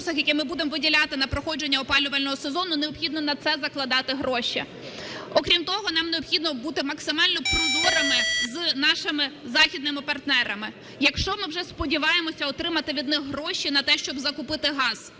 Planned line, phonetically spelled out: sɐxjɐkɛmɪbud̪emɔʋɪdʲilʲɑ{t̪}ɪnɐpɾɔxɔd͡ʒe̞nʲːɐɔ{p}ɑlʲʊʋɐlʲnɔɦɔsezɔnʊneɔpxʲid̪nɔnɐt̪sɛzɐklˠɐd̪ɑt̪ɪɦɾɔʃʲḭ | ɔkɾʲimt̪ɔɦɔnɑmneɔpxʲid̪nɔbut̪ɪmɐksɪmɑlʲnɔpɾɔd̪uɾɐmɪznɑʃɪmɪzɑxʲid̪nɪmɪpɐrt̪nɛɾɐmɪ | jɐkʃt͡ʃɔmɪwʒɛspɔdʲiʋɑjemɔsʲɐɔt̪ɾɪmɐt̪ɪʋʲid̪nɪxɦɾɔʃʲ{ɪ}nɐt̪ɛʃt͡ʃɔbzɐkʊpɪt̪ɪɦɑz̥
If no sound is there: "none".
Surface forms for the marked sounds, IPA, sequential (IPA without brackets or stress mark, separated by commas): t̪, p, i